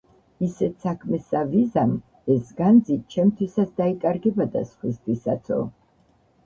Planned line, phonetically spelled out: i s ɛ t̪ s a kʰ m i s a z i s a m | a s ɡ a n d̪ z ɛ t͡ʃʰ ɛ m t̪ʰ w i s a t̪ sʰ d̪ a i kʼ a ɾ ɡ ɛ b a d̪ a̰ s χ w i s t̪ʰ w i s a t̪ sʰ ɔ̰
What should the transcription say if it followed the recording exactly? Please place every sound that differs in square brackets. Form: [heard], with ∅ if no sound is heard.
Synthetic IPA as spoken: i s ɛ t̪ s a kʰ m [ɛ] s a [v] i [z] a m | [ɛ] s ɡ a n d̪ z [i] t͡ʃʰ ɛ m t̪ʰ w i s a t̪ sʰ d̪ a i kʼ a ɾ ɡ ɛ b a d̪ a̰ s χ w i s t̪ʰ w i s a t̪ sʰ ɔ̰